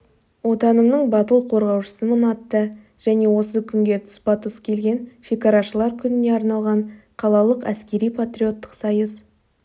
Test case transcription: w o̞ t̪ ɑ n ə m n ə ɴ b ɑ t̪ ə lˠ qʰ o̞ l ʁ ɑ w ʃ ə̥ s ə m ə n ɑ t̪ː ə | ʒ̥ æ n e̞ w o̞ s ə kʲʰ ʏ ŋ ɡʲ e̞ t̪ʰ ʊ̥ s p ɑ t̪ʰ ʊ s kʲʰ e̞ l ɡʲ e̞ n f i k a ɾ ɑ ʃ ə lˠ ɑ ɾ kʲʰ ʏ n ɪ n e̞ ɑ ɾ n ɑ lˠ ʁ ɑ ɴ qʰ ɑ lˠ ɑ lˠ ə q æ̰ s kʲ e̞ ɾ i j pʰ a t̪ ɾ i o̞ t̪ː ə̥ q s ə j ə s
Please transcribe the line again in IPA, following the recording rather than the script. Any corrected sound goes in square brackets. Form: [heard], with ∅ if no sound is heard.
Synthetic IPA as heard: w o̞ t̪ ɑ n ə m n ə ɴ b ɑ t̪ ə lˠ qʰ o̞ [ɾ] ʁ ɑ w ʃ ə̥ s ə m ə n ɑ t̪ː ə | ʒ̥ æ n e̞ w o̞ s ə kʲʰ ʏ ŋ ɡʲ e̞ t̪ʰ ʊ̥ s p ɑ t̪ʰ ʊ s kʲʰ e̞ l ɡʲ e̞ n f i k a ɾ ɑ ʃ ə lˠ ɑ ɾ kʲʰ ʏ n ɪ n e̞ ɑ ɾ n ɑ lˠ ʁ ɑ ɴ qʰ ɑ lˠ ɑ lˠ ə q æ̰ s kʲ e̞ ɾ i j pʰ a t̪ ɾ i o̞ t̪ː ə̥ q s [ɑ] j ə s

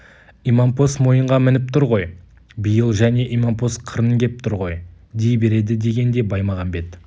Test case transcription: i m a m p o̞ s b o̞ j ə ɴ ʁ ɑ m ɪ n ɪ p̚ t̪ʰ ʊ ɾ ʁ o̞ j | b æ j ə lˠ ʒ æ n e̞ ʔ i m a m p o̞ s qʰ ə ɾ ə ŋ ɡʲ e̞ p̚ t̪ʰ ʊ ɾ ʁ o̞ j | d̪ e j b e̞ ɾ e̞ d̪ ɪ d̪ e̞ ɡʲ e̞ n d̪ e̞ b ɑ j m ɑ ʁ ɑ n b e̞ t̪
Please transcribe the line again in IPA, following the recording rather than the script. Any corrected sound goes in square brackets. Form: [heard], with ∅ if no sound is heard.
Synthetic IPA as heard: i m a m p o̞ s [m] o̞ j ə ɴ ʁ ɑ m ɪ n ɪ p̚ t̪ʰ ʊ ɾ ʁ o̞ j | b [i] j ə lˠ ʒ æ n e̞ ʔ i m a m p o̞ s qʰ ə ɾ ə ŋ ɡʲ e̞ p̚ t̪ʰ ʊ ɾ ʁ o̞ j | d̪ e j b e̞ ɾ e̞ d̪ ɪ d̪ e̞ ɡʲ e̞ n d̪ e̞ b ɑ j m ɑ ʁ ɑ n b e̞ t̪

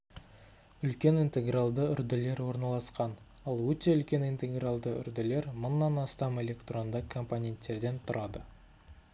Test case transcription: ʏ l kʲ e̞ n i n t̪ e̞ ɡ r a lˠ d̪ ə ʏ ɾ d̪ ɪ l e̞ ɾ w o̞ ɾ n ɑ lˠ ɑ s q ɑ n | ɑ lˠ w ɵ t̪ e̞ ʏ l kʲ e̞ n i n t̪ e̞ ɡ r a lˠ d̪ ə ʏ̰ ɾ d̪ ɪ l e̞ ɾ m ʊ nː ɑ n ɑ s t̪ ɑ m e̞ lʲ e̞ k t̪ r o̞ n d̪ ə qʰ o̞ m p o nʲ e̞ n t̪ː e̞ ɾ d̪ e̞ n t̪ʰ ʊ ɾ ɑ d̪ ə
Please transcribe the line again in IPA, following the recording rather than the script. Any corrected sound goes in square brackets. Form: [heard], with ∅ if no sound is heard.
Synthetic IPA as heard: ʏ l kʲ e̞ n i n t̪ e̞ ɡ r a lˠ d̪ ə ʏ ɾ d̪ ɪ l e̞ ɾ w o̞ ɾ n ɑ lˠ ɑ s q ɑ n | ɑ lˠ w ɵ t̪ e̞ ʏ l kʲ e̞ n i n t̪ e̞ ɡ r a lˠ d̪ ə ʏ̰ ɾ d̪ ɪ l e̞ ɾ m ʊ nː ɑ n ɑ s t̪ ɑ m e̞ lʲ e̞ k t̪ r o̞ n d̪ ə [kʰ] o̞ m p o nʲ e̞ n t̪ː e̞ ɾ d̪ e̞ n t̪ʰ ʊ ɾ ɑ d̪ ə

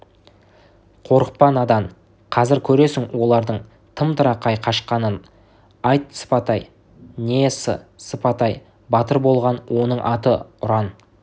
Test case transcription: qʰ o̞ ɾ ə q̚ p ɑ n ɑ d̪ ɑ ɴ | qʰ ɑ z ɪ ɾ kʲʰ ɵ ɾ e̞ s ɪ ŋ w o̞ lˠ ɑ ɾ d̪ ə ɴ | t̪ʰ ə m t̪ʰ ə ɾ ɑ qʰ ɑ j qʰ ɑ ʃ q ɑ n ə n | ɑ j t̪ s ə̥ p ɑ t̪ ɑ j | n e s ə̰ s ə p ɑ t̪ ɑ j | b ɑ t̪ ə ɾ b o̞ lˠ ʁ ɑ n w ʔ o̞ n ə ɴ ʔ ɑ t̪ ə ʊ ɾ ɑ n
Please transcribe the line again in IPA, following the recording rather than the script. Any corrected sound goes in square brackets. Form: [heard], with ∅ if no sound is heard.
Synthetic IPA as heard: qʰ o̞ ɾ ə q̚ p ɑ n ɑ d̪ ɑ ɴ | qʰ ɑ z ɪ ɾ kʲʰ ɵ ɾ e̞ s ɪ ŋ w o̞ lˠ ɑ ɾ d̪ ə ɴ | t̪ʰ ə m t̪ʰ ə ɾ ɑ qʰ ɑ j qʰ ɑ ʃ q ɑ n ə n | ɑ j t̪ s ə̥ p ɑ t̪ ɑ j | n e s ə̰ s ə p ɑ t̪ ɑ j | b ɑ t̪ ə ɾ b o̞ lˠ ʁ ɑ n w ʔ o̞ n ə ɴ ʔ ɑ t̪ ə ʊ ɾ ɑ n

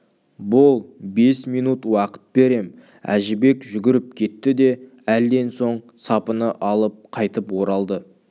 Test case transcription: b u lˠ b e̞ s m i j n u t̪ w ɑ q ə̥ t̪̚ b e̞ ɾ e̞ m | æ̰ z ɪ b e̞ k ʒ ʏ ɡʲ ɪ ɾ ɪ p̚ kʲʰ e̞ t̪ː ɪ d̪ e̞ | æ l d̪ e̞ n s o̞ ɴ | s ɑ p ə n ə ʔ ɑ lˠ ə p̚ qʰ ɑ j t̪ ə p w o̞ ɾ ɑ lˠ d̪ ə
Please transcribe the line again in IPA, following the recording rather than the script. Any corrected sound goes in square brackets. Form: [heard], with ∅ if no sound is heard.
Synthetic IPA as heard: b [ʊ] lˠ b e̞ s m i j n u t̪ w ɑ q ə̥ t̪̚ b e̞ ɾ e̞ m | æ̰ [ʒ] ɪ b e̞ k ʒ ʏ ɡʲ ɪ ɾ ɪ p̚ kʲʰ e̞ t̪ː ɪ d̪ e̞ | æ l d̪ e̞ n s o̞ ɴ | s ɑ p ə n ə ʔ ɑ lˠ ə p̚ qʰ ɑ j t̪ ə p w o̞ ɾ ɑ lˠ d̪ ə

